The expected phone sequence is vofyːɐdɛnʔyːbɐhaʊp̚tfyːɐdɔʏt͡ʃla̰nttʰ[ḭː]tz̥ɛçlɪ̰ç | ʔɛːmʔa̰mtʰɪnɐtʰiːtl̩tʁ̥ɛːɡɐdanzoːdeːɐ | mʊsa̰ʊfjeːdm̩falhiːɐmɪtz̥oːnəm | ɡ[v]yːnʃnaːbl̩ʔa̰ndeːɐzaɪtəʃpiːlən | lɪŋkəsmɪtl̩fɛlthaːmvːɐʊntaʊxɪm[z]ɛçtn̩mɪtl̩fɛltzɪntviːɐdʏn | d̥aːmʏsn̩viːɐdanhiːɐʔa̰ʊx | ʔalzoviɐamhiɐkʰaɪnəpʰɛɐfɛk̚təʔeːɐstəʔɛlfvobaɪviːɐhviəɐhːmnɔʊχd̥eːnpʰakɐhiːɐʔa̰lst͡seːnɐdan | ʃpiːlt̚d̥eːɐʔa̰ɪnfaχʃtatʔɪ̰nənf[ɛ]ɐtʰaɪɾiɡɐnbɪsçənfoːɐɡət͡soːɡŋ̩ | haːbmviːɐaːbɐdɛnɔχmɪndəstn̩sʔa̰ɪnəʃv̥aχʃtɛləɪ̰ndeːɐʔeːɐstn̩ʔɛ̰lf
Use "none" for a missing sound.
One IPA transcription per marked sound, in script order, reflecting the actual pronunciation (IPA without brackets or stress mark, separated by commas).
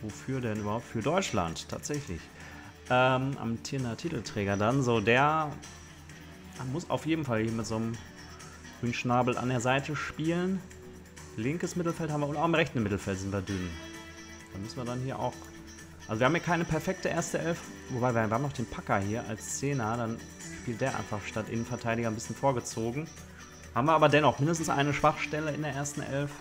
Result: a̰ː, ʁ, ʁ, ɛ